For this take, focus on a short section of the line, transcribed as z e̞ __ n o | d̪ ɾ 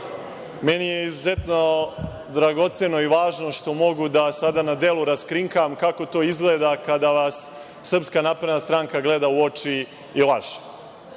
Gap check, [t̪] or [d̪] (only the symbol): t̪